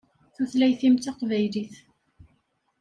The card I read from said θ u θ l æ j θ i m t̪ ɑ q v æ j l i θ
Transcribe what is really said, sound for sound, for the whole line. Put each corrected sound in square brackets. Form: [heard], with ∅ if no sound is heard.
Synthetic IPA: θ u θ l æ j θ i m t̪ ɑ q v æ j l i θ